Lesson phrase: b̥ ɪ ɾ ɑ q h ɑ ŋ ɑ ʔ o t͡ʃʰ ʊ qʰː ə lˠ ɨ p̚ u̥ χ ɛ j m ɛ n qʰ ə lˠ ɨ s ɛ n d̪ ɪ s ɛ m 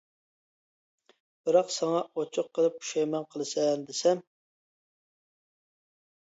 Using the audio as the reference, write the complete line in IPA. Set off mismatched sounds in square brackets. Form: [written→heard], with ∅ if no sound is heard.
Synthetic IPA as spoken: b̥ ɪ ɾ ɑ q [h→s] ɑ ŋ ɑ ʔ o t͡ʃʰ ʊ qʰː ə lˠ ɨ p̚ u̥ [χ→ʃ] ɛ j m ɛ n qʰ ə lˠ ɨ s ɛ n d̪ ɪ s ɛ m

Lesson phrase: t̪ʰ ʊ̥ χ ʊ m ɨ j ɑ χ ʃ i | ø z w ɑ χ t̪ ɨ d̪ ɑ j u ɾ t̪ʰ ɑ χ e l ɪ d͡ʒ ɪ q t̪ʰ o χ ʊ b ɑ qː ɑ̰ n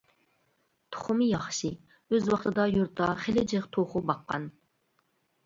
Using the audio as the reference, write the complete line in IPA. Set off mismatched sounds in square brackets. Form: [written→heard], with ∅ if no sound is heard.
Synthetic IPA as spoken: t̪ʰ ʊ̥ χ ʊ m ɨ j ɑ χ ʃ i | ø z w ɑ χ t̪ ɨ d̪ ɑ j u ɾ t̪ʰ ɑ χ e l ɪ d͡ʒ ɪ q t̪ʰ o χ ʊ b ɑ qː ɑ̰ n

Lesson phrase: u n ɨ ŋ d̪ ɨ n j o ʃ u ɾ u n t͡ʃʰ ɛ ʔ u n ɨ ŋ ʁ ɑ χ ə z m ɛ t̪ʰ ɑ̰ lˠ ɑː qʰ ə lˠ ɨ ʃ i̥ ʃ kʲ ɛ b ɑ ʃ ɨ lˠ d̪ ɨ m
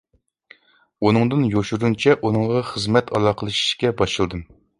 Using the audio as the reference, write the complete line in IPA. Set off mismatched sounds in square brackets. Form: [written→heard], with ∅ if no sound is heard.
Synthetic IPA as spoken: u n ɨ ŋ d̪ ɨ n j o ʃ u ɾ u n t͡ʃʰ ɛ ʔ u n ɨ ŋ ʁ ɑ χ ə z m ɛ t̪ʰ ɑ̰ lˠ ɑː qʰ ə lˠ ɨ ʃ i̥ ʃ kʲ ɛ b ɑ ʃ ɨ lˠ d̪ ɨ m

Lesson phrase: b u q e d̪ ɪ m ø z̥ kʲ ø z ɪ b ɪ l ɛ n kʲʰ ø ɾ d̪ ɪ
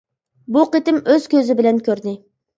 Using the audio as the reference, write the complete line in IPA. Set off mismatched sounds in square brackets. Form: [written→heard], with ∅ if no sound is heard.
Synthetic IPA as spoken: b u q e [d̪→t̪] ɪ m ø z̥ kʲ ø z ɪ b ɪ l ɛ n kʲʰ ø ɾ d̪ ɪ

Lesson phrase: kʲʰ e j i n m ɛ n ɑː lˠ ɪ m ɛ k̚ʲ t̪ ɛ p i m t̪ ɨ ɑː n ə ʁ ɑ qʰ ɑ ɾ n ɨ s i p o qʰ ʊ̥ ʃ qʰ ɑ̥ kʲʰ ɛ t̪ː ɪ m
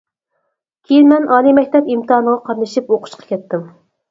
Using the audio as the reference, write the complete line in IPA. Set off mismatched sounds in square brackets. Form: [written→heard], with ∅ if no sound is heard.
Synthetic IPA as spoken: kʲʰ e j i n m ɛ n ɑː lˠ [ɪ→i] m ɛ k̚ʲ t̪ ɛ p i m t̪ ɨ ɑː n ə ʁ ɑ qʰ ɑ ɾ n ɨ [s→ʃ] i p o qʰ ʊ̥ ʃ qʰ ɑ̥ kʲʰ ɛ t̪ː ɪ m

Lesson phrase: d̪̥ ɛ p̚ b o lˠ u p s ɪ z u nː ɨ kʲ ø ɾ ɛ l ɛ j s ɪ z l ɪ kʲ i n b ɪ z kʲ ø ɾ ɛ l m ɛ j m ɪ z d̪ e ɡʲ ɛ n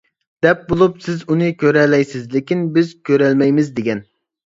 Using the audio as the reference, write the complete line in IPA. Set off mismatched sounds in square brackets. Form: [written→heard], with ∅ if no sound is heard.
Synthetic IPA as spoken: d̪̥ ɛ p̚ b o lˠ u p s ɪ z u [nː→n] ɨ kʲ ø ɾ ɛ l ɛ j s ɪ z l ɪ kʲ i n b ɪ z kʲ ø ɾ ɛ l m ɛ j m ɪ z d̪ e ɡʲ ɛ n

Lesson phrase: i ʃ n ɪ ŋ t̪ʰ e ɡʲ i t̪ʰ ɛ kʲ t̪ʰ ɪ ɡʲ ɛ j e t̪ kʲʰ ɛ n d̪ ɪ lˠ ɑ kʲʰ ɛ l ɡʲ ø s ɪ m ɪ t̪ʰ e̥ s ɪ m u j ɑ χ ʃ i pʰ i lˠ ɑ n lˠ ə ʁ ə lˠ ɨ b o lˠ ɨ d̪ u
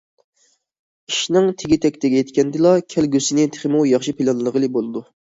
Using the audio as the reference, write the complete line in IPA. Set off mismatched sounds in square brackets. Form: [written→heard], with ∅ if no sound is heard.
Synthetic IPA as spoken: i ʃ n ɪ ŋ t̪ʰ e ɡʲ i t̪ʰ ɛ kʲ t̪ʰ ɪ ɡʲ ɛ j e t̪ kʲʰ ɛ n d̪ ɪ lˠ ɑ kʲʰ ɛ l ɡʲ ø s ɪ [m→n] ɪ t̪ʰ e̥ [s→χ] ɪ m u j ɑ χ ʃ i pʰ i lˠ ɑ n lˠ ə ʁ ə lˠ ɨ b o lˠ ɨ d̪ u

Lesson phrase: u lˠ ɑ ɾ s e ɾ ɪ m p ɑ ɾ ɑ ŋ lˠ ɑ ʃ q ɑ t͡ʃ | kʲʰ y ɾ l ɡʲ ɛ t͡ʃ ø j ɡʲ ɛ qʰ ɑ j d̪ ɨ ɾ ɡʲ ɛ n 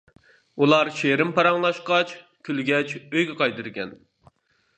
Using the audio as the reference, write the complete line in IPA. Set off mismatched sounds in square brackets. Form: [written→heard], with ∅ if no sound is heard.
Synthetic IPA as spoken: u lˠ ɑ ɾ [s→ʃ] e ɾ ɪ m p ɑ ɾ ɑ ŋ lˠ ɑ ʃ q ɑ t͡ʃ | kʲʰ y [ɾ→∅] l ɡʲ ɛ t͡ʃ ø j ɡʲ ɛ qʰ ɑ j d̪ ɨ ɾ ɡʲ ɛ n

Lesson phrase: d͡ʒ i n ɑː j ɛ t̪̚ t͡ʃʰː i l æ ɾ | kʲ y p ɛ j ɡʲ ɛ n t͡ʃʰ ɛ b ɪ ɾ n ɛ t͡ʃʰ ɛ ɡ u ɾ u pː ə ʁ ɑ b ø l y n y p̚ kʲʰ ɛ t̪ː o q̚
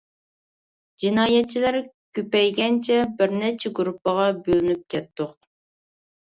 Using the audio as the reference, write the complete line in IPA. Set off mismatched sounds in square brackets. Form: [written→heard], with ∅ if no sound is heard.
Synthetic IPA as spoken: d͡ʒ i n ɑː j ɛ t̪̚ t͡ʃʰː i l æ ɾ | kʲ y p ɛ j ɡʲ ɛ n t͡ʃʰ ɛ b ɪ ɾ n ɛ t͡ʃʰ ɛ ɡ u ɾ u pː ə ʁ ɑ b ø l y n y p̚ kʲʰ ɛ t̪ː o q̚

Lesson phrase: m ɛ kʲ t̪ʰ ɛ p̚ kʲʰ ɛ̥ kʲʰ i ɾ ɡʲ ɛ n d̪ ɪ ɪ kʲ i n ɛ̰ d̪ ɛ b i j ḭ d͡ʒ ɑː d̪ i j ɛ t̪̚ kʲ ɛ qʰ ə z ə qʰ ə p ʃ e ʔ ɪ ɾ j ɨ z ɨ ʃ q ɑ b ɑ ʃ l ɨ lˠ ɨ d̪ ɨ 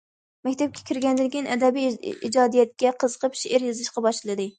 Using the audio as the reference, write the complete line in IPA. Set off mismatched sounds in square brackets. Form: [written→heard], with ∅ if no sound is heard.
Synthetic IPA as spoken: m ɛ kʲ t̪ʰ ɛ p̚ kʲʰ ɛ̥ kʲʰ i ɾ ɡʲ ɛ n d̪ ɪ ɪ kʲ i n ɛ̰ d̪ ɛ b i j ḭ d͡ʒ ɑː d̪ i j ɛ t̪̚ kʲ ɛ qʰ ə z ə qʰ ə p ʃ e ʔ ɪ ɾ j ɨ z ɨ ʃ q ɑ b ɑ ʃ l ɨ lˠ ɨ d̪ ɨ

